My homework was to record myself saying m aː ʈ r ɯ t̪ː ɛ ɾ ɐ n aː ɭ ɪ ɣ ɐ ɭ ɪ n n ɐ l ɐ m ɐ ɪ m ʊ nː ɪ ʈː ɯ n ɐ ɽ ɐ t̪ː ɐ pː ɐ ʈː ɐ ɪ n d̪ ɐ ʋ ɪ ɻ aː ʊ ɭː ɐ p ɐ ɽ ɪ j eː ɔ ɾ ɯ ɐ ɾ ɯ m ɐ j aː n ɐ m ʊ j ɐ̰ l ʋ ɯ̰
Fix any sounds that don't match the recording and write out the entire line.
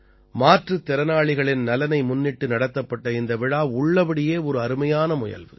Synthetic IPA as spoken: m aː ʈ r ɯ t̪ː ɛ ɾ ɐ n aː ɭ ɪ ɣ ɐ ɭ ɪ n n ɐ l ɐ n ɐ ɪ m ʊ nː ɪ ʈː ɯ n ɐ ɽ ɐ t̪ː ɐ pː ɐ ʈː ɐ ɪ n d̪ ɐ ʋ ɪ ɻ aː ʊ ɭː ɐ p ɐ ɽ ɪ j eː ɔ ɾ ɯ ɐ ɾ ɯ m ɐ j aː n ɐ m ʊ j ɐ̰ l ʋ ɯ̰